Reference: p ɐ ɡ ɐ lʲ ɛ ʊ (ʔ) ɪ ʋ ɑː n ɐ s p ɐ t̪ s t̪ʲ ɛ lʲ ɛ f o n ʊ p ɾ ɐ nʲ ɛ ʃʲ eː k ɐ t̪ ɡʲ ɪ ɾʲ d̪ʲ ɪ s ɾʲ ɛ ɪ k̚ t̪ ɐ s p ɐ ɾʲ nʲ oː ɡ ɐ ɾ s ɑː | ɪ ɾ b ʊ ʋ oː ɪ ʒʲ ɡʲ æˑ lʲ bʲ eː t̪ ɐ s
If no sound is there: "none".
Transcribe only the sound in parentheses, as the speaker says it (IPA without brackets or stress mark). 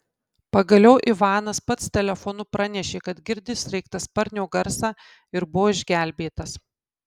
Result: ʔ